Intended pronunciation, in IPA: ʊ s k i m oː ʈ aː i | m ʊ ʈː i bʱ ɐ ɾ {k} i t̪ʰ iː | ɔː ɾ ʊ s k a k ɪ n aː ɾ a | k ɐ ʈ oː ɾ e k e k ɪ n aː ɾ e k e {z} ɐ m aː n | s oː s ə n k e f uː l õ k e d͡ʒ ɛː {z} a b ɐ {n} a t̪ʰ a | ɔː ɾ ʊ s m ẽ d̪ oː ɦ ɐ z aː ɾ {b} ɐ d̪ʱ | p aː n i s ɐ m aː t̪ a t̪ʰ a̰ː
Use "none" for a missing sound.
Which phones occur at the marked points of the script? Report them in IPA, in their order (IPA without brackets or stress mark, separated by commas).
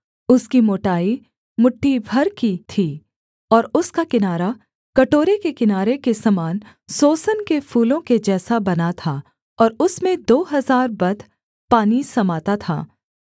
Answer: k, s, s, n, b